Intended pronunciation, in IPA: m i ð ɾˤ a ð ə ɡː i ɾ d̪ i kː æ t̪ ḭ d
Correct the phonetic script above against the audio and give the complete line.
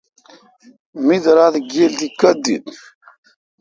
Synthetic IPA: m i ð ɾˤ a ð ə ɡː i l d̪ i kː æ d̪ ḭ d